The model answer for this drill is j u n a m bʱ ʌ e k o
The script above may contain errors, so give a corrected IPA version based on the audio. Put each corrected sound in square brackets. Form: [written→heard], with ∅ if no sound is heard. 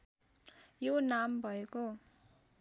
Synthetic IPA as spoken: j [u→o] n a m bʱ ʌ e k o